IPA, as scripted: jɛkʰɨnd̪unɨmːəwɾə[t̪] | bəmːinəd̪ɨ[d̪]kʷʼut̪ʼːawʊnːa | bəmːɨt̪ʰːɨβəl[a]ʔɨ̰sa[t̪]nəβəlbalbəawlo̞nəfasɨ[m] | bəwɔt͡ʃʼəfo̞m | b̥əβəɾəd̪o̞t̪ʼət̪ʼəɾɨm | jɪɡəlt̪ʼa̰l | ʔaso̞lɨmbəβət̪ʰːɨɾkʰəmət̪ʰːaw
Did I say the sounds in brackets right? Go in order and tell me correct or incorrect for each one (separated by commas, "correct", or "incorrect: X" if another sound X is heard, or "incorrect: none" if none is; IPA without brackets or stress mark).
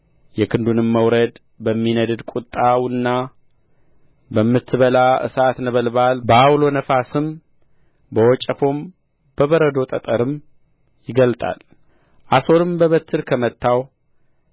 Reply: incorrect: d̪, correct, correct, correct, correct